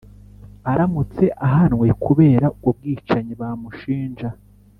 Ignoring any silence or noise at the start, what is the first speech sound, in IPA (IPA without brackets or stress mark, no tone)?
a